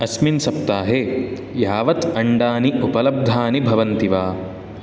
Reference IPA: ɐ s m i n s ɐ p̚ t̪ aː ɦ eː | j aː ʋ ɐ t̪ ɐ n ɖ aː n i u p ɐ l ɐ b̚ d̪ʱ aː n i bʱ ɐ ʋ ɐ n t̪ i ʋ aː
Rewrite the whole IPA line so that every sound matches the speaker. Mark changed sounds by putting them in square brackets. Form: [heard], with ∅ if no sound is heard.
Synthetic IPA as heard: ɐ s m i n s ɐ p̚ t̪ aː ɦ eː | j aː ʋ ɐ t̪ ɐ [ɳ] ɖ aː n i u p ɐ l ɐ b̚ d̪ʱ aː n i bʱ ɐ ʋ ɐ n t̪ i ʋ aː